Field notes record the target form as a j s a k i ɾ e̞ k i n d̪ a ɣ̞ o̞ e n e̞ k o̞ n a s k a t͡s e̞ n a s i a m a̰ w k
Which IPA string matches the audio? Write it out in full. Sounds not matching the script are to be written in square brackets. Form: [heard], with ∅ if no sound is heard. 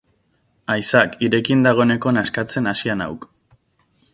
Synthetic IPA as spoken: a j s a k i ɾ e̞ k i n d̪ a ɣ̞ o̞ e n e̞ k o̞ n a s k a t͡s e̞ n a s i a [n] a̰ w k